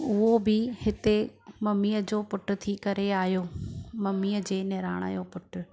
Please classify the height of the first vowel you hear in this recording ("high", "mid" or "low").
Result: high